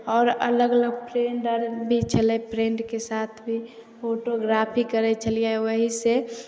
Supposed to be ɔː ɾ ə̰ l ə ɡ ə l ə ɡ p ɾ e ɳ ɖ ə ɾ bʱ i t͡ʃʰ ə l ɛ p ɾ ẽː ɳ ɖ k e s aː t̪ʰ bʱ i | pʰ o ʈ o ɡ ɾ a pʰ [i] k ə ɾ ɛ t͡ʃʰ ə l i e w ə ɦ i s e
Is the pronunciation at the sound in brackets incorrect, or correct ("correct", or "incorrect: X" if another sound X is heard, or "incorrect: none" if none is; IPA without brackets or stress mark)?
correct